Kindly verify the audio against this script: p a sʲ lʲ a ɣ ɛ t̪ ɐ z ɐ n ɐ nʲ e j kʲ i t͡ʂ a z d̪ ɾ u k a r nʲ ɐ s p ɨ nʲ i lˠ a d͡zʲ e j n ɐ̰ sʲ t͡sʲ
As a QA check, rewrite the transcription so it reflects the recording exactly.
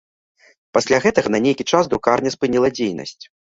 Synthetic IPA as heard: p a sʲ lʲ a ɣ ɛ t̪ ɐ ɣ ɐ n ɐ nʲ e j kʲ i t͡ʂ a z d̪ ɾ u k a r nʲ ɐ s p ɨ nʲ i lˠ ɐ d͡zʲ e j n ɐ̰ sʲ t͡sʲ